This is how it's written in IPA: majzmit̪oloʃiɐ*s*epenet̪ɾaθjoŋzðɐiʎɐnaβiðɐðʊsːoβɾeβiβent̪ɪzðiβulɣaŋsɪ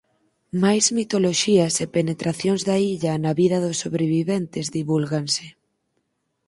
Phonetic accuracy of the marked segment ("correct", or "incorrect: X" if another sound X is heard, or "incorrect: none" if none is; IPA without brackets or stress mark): correct